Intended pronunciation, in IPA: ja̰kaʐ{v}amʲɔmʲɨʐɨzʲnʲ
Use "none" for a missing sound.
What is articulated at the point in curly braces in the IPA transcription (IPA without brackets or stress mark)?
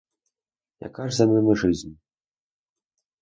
z